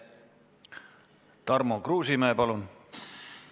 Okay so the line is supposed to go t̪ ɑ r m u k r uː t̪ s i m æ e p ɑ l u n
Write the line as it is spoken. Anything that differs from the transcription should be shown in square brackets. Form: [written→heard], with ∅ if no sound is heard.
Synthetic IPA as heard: t̪ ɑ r m [u→o] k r uː [t̪→∅] s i m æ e p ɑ l u n